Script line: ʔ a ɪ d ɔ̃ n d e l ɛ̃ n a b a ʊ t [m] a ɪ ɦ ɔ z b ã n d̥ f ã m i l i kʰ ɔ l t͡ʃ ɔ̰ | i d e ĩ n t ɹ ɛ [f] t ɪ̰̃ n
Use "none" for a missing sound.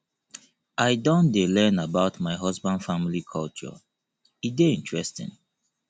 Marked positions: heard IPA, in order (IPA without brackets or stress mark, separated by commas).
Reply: m, s